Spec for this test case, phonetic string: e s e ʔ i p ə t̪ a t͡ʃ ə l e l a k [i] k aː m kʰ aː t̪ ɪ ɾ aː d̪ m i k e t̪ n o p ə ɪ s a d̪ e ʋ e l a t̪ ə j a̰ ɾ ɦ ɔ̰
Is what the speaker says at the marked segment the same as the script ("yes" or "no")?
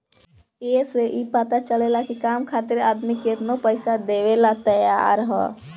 yes